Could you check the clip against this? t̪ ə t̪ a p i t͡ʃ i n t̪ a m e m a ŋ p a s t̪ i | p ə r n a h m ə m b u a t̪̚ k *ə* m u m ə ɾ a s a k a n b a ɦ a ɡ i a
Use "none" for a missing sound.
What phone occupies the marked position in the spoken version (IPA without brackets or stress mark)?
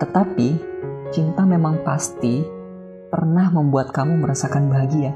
a